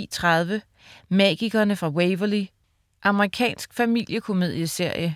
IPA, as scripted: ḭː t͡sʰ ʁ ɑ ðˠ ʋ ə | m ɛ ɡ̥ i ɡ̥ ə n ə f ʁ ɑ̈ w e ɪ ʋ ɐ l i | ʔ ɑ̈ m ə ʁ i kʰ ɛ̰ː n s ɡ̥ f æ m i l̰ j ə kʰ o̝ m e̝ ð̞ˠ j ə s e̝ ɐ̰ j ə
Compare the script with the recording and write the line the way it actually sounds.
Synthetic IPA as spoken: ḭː t͡sʰ ʁ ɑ ðˠ ʋ ə | m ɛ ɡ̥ i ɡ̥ ɐ n ə f ʁ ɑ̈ w e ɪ ʋ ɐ l i | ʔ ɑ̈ m ə ʁ i kʰ ɛ̰ː n s ɡ̥ f æ m i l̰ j ə kʰ o̝ m e̝ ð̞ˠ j ə s e̝ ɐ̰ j ə